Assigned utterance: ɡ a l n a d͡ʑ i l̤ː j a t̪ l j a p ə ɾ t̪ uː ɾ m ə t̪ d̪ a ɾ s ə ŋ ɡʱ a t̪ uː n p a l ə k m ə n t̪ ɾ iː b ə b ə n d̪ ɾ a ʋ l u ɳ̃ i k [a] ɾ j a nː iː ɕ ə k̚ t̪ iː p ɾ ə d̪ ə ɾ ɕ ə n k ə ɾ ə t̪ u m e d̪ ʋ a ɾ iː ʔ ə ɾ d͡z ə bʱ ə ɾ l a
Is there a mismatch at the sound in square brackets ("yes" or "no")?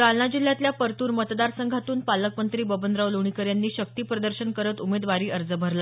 yes